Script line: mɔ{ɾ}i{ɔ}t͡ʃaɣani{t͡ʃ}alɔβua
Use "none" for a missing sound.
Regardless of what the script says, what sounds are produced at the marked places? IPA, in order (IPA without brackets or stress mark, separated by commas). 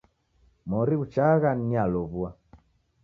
ɾ, u, none